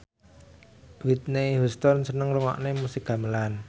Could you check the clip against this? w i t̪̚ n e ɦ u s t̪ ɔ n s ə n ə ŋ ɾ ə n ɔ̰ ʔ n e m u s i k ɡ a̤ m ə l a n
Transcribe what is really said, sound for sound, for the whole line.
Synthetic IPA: w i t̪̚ n e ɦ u s t̪ ɔ n s ə n ə ŋ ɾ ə ŋ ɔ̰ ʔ n e m u s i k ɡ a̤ m ə l a n